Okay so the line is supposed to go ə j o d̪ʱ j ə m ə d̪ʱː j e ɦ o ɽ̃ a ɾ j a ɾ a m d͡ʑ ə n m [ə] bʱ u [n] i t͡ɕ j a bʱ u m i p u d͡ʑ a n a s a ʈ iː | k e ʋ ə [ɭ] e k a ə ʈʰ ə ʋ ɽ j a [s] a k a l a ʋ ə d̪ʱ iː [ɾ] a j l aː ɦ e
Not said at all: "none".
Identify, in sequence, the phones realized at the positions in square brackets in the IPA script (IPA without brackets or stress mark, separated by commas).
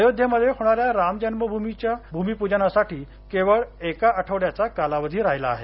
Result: ə, m, ɭ, t͡s, ɾ